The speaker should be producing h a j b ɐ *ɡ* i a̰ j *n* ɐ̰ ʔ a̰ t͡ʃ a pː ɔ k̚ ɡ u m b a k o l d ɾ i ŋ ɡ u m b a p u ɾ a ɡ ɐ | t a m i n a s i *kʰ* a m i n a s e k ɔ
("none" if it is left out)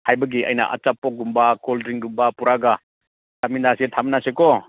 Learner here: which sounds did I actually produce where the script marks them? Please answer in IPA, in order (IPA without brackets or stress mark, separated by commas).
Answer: ɡ, n, tʰ